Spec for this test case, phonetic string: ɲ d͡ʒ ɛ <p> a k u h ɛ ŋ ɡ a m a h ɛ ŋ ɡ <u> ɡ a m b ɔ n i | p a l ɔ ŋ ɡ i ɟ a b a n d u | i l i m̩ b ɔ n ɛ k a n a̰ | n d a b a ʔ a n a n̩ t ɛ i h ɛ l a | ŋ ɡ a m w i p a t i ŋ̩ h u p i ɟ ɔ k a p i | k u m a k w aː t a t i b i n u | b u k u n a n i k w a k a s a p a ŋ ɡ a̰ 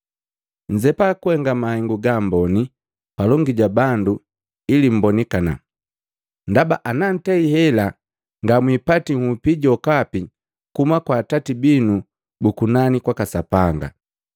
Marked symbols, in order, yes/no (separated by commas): yes, yes